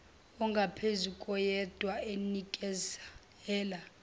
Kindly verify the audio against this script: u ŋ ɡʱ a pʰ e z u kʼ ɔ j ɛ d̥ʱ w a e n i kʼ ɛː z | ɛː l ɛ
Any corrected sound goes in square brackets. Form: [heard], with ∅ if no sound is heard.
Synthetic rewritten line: [ɔ] ŋ ɡʱ a pʰ e z u kʼ ɔ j ɛ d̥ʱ w a e n i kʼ [ɛ] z | ɛː l [a]